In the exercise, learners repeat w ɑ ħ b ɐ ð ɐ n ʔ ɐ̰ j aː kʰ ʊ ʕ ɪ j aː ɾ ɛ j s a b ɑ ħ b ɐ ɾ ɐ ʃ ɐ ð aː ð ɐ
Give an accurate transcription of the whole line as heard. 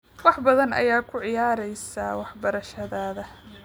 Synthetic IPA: w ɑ ħ b ɐ ð ɐ n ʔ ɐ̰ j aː kʰ ʊ ʕ ɪ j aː ɾ ɛ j s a w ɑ ħ b ɐ ɾ ɐ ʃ ɐ ð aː ð ɐ

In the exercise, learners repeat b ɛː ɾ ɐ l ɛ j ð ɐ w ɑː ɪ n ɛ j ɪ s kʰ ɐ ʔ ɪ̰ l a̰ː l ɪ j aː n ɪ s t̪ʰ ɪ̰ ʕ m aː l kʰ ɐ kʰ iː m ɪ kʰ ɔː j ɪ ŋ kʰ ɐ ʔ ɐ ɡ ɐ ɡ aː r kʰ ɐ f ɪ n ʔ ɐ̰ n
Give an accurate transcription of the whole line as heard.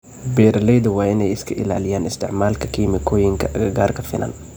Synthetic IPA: b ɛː ɾ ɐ l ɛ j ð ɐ w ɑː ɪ n ɛ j ɪ s kʰ ɐ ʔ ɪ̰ l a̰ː l ɪ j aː n ɪ s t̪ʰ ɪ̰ ʕ m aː l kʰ ɐ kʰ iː m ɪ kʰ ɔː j ɪ ŋ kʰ ɐ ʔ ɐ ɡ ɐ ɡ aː r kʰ ɐ f ɪ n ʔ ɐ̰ n

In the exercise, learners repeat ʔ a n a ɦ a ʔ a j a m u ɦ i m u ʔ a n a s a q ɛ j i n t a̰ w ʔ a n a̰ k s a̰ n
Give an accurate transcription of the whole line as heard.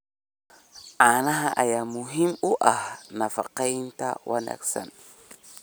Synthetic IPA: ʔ a n a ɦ a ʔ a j a m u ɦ i m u ʔ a n a f a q a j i n t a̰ w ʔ a n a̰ k s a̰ n

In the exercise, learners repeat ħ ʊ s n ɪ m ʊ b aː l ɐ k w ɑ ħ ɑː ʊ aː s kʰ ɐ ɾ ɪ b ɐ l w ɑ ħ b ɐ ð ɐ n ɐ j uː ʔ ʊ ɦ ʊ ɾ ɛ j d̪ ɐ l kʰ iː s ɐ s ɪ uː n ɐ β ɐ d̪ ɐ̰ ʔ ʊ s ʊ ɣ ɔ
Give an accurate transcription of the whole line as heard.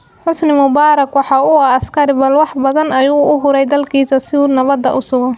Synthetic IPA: ħ ʊ s n ɪ m ʊ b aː ɾ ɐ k w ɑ ħ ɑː ʊ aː s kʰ ɐ ɾ ɪ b ɐ l w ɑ ħ b ɐ ð ɐ n ɐ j uː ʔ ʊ ɦ ʊ ɾ ɛ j d̪ ɐ l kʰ iː s ɐ s ɪ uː n ɐ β ɐ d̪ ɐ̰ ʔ ʊ s ʊ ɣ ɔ

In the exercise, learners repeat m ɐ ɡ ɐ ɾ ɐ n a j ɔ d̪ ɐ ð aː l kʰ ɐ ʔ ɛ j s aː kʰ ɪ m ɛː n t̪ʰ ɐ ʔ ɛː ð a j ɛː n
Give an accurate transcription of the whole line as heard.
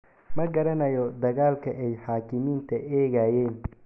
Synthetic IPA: m ɐ ɡ ɐ ɾ ɐ n ɐ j ɔ d̪ ɐ ɣ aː l kʰ ɐ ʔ ɛ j ħ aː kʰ ɪ m iː n t̪ʰ ɐ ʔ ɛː ɣ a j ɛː n

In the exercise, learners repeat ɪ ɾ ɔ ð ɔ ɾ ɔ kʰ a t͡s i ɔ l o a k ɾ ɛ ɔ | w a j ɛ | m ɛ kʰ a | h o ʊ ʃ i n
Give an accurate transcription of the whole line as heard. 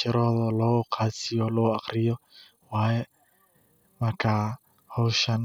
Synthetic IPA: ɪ ɾ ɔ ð ɔ l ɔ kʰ a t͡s i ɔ l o a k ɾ i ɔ | w a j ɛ | m a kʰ a | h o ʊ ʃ a n

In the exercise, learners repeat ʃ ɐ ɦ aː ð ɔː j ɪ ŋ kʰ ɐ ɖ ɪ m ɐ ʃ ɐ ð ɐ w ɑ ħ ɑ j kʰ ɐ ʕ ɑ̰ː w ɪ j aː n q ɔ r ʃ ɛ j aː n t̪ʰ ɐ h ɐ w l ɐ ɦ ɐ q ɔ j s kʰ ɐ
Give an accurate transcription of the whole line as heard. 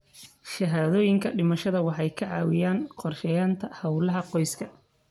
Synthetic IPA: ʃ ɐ ɦ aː ð ɔː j ɪ ŋ kʰ ɐ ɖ ɪ m ɐ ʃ ɐ ð ɐ w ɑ ħ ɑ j kʰ ɐ ʕ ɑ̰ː w ɪ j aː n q ɔ r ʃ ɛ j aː n t̪ʰ ɐ h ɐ w l ɐ ɦ ɐ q ɔ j s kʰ ɐ

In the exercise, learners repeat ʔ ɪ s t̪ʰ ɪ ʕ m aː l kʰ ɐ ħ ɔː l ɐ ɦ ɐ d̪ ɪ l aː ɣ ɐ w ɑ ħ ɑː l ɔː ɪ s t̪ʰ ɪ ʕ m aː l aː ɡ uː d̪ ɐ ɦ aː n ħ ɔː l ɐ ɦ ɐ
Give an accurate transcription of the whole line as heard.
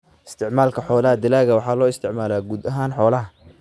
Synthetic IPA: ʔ ɪ s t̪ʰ ɪ ʕ m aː l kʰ ɐ ħ ɔː l ɐ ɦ ɐ d̪ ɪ l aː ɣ ɐ w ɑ ħ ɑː l ɔː ɪ s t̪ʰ ɪ ʕ m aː l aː ɡ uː d̪ ɐ ɦ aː n ħ ɔː l ɐ ɦ ɐ

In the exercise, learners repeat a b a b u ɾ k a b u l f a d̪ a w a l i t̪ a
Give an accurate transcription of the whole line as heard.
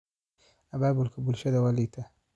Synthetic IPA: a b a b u l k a b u l ʃ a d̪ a w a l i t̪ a

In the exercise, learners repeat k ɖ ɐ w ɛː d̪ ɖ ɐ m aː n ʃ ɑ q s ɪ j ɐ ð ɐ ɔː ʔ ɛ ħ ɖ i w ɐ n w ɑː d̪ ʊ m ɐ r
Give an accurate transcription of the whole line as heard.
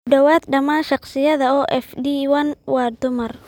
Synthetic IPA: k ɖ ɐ w aː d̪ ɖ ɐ m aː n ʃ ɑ q s ɪ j ɐ ð ɐ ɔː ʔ ɛ f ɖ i w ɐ n w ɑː d̪ ʊ m ɐ r

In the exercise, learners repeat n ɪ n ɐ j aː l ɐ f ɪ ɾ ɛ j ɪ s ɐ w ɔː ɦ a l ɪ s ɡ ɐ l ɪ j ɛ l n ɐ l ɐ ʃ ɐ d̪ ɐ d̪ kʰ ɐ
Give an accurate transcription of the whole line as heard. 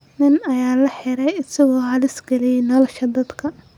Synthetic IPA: n ɪ n ɐ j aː l ɐ ħ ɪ ɾ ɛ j ɪ s ɐ ɣ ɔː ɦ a l ɪ s ɡ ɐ l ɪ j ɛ n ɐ l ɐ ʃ ɐ d̪ ɐ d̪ kʰ ɐ

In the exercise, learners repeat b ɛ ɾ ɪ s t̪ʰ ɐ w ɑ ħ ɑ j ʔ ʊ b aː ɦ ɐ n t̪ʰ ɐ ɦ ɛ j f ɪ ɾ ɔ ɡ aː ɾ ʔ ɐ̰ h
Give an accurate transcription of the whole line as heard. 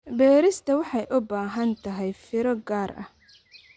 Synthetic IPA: b ɛː ɾ ɪ s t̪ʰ ɐ w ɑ ħ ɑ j ʔ ʊ b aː ɦ ɐ n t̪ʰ ɐ ɦ ɛ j f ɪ ɾ ɔ ɡ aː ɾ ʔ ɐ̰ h

